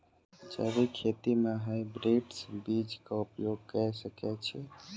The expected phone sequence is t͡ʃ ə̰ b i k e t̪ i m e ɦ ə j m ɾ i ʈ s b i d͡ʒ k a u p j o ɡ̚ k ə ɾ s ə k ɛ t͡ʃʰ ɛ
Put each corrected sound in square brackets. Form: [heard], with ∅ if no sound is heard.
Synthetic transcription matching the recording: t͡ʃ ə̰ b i [kʰ] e t̪ i m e ɦ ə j [b] ɾ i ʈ s b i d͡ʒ k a u p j o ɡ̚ k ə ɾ s ə k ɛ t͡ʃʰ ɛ